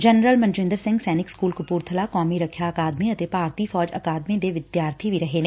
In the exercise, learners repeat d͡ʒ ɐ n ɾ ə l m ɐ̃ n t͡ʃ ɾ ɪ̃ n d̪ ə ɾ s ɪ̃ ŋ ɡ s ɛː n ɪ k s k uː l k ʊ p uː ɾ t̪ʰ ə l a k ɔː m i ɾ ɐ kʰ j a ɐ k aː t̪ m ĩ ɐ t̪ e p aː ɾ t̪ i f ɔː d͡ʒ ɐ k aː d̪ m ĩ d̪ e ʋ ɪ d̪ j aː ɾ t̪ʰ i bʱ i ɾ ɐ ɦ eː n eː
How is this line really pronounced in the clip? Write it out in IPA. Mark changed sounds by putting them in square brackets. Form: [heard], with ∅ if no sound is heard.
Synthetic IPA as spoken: d͡ʒ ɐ n ɾ ə l m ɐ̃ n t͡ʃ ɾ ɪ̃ n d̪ ə ɾ s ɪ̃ ŋ ɡ s ɛː n ɪ k s k uː l k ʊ p uː ɾ t̪ʰ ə l a k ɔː m i ɾ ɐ kʰ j a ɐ k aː [d̪] m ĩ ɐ t̪ e p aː ɾ t̪ i f ɔː d͡ʒ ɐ k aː d̪ m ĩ d̪ e ʋ ɪ d̪ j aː ɾ t̪ʰ i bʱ i ɾ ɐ ɦ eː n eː